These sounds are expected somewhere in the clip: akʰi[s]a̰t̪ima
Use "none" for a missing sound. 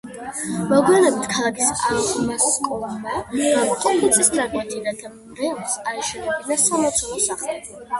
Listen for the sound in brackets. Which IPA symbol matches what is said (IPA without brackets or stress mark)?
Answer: s